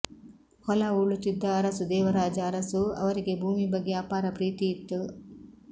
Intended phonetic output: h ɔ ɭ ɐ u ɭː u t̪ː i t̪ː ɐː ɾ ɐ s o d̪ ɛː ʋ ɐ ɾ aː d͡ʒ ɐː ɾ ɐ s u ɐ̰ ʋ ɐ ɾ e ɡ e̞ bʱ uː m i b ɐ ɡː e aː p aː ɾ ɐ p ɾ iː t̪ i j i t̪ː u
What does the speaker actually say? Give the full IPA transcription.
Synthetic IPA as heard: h ɔ l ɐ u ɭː u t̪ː i d̪ː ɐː ɾ ɐ s u d̪ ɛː ʋ ɐ ɾ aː d͡ʒ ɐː ɾ ɐ s u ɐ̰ ʋ ɐ ɾ i ɡ e̞ bʱ uː m i b ɐ ɡː e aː p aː ɾ ɐ p ɾ iː t̪ i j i t̪ː u